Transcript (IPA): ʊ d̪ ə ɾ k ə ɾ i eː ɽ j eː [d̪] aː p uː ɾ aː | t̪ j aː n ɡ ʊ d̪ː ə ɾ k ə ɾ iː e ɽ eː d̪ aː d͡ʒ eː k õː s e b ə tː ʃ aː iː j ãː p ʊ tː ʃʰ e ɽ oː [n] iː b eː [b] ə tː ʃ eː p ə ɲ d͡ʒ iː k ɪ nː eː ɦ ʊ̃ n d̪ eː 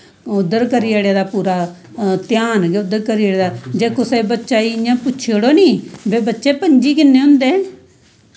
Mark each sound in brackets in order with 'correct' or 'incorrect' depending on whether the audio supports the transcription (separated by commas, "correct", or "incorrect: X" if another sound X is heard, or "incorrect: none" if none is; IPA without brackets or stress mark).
correct, correct, correct